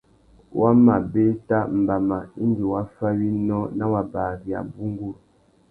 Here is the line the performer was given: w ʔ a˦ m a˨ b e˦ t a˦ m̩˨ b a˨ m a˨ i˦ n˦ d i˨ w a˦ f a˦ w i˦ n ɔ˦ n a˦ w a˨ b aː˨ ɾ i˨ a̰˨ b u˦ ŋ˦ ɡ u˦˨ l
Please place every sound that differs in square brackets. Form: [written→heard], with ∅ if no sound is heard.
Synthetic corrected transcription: w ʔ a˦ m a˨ b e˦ t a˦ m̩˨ b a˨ m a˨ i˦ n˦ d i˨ w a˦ f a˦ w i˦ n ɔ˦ n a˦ w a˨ b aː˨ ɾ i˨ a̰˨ b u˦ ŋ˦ ɡ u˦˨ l